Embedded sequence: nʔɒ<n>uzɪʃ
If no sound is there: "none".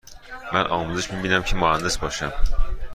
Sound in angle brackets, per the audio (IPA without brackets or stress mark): m